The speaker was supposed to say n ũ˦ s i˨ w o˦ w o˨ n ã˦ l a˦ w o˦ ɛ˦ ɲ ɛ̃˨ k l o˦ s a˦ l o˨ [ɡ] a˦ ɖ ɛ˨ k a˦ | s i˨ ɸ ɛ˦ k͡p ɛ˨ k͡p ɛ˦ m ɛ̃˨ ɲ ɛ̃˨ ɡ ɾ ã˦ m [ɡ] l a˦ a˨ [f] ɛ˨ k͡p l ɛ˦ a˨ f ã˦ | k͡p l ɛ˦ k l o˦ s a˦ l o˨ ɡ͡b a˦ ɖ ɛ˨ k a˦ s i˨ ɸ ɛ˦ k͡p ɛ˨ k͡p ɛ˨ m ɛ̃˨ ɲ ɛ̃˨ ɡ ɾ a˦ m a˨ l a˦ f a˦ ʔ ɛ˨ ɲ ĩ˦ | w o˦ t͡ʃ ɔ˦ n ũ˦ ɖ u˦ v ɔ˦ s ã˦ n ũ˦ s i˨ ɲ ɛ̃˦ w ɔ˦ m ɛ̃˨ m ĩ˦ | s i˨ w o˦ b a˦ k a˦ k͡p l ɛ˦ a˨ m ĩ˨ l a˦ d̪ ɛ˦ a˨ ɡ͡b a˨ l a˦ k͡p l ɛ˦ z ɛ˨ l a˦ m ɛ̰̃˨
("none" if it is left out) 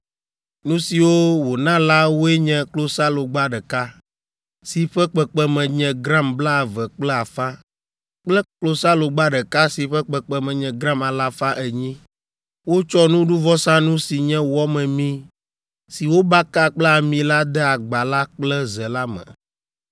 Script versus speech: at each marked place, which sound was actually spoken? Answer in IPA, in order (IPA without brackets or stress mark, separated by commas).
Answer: ɡ͡b, b, v